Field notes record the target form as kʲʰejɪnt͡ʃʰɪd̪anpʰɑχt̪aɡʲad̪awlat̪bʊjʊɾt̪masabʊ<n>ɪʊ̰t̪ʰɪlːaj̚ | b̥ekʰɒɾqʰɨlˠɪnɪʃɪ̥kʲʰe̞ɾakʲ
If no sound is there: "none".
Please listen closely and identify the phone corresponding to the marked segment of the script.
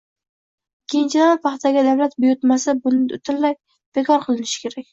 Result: n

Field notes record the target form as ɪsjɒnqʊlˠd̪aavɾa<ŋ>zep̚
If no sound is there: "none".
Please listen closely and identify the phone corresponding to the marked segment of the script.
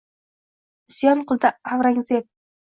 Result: ŋ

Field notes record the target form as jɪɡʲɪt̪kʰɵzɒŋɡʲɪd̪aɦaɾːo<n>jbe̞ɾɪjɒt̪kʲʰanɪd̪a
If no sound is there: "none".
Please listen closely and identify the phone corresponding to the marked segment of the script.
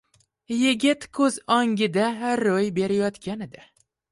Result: none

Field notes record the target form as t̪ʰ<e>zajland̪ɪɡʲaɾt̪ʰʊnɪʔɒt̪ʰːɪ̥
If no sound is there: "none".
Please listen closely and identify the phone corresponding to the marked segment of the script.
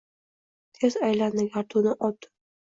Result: e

